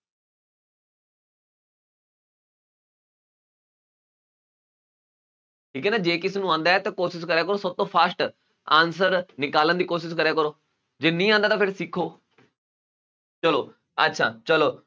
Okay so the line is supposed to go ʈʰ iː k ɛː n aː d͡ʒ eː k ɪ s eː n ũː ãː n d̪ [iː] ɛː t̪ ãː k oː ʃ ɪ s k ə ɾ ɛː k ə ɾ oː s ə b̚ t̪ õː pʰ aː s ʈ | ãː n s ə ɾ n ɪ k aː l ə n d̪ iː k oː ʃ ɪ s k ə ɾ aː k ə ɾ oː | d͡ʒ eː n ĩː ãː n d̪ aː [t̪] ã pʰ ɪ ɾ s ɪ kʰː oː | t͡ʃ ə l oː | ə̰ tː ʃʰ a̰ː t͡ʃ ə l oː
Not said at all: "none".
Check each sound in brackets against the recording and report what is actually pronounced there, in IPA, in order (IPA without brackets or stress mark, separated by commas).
aː, t̪